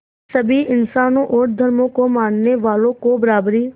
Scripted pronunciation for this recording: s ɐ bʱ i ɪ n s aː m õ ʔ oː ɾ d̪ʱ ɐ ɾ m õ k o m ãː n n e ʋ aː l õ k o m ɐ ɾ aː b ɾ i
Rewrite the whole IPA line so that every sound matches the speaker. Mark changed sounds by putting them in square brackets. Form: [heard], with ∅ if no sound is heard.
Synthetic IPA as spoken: s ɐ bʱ i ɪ n s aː [n] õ ʔ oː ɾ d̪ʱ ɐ ɾ m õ k o m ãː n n e ʋ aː l õ k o [b] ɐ ɾ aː b ɾ i